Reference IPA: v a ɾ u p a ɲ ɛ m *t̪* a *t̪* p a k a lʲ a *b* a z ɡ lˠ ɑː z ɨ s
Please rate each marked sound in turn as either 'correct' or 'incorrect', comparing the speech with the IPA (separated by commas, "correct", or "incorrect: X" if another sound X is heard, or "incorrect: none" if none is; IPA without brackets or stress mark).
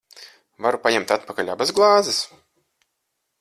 correct, correct, correct